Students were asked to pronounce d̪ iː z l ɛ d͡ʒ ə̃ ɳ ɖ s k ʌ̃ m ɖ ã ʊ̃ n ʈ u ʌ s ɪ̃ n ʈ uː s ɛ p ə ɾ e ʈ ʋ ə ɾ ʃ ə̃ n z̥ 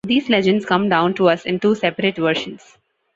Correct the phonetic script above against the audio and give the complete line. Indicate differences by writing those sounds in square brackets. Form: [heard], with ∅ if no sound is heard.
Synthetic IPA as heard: d̪ iː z l ɛ d͡ʒ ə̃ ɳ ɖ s k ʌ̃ m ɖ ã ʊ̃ n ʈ u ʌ s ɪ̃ n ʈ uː s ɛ p ə ɾ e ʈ ʋ ə ɾ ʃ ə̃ n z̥

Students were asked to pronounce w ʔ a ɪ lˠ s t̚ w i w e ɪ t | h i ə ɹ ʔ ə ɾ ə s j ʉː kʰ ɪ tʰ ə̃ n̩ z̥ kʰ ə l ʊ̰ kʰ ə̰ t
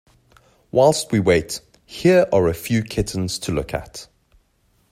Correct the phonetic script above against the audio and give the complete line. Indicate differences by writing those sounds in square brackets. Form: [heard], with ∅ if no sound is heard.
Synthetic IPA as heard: w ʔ a ɪ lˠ s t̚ w i w e ɪ t | h i ə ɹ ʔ ə [ɹ] ə [f] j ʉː kʰ ɪ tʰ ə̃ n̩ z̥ [tʰ] ə l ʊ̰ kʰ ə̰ t

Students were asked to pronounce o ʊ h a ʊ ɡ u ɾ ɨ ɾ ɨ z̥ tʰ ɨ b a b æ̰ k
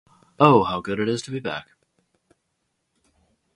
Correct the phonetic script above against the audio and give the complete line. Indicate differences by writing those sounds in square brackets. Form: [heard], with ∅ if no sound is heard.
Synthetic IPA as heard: o ʊ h a ʊ ɡ [ʊ] ɾ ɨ ɾ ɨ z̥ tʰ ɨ b [i] b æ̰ k

